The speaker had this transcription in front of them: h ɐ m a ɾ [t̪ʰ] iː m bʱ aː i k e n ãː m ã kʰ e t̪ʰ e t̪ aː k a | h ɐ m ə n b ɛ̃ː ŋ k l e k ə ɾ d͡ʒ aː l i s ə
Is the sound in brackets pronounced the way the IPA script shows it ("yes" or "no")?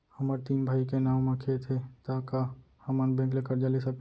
no